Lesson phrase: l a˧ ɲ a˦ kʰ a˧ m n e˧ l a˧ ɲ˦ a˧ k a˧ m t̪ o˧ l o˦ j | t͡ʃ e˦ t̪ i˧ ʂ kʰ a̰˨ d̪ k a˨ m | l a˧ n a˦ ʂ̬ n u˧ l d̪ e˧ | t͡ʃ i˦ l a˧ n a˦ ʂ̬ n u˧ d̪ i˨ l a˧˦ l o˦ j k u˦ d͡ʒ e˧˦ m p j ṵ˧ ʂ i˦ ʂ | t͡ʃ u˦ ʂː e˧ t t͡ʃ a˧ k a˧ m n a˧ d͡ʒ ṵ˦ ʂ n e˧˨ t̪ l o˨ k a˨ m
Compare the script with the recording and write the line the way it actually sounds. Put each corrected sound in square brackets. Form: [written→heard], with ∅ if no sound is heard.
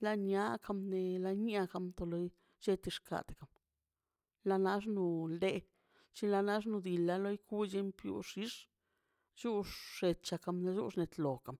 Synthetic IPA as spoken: l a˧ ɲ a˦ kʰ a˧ m n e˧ l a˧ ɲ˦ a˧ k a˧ m t̪ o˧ l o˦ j | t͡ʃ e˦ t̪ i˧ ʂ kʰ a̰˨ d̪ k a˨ m | l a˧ n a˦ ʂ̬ n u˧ l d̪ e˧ | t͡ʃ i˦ l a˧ n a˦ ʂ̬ n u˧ d̪ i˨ l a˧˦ l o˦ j k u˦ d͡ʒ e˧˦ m p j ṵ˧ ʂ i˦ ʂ | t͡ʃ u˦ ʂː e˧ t t͡ʃ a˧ k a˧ m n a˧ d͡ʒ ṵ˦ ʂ n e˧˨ t̪ l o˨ k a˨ m

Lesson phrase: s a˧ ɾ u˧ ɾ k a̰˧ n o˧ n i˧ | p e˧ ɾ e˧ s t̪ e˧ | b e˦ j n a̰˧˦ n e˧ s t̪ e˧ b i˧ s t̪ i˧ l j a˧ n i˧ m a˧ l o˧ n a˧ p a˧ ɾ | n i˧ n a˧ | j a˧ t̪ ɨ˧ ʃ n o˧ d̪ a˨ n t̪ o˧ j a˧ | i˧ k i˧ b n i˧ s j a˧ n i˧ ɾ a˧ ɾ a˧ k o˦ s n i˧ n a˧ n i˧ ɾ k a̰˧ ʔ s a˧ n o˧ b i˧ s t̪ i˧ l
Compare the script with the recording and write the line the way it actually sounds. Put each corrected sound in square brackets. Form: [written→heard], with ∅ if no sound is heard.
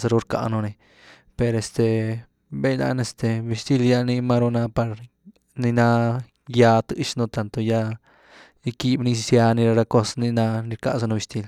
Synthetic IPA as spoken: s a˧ ɾ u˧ ɾ k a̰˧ n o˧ n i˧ | p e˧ ɾ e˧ s t̪ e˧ | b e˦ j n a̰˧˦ n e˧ s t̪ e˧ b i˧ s t̪ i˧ l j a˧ n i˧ m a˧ [l→ɾ] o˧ n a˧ p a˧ ɾ | n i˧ n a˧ | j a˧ t̪ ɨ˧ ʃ n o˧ [d̪→t̪] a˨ n t̪ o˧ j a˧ | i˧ k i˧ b n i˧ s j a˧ n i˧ ɾ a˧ ɾ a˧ k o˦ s n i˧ n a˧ n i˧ ɾ k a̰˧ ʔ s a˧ n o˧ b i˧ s t̪ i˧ l

